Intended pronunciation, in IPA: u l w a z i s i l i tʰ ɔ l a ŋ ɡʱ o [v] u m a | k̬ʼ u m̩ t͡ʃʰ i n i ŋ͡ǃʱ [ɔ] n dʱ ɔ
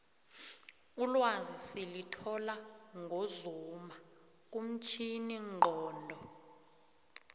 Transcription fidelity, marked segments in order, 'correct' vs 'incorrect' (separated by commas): incorrect, incorrect